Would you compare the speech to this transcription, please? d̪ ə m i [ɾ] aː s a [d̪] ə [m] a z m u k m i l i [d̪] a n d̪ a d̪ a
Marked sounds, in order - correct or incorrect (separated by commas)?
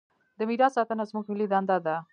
correct, incorrect, incorrect, correct